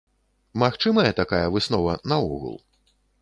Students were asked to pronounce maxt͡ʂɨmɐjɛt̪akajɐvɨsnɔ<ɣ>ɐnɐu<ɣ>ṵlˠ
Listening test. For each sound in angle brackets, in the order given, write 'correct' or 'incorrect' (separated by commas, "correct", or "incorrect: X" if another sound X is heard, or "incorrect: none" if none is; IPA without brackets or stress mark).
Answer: incorrect: v, correct